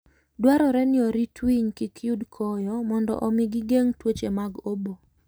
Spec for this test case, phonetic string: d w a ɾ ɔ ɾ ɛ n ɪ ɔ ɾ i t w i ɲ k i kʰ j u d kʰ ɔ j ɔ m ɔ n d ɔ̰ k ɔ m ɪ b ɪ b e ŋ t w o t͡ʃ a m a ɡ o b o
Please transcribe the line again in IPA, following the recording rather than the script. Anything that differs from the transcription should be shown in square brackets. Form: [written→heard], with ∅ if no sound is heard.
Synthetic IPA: d w a ɾ ɔ ɾ ɛ n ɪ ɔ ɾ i t w i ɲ k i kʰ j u d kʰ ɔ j ɔ m ɔ n d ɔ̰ [k→ʔ] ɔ m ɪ [b→ɡ] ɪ [b→ɡ] e ŋ t w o t͡ʃ [a→e] m a ɡ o b o